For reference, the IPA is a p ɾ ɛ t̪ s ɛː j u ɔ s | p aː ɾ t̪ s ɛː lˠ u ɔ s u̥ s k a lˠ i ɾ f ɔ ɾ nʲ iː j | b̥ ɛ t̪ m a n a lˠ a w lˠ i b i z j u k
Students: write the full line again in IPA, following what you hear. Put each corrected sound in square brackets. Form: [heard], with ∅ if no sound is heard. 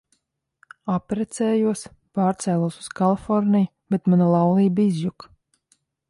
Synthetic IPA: a p ɾ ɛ t̪ s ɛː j u ɔ s | p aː ɾ t̪ s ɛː lˠ u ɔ s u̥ s k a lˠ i [∅] f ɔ ɾ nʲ [i] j | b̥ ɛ t̪ m a n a lˠ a w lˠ [iː] b i z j u k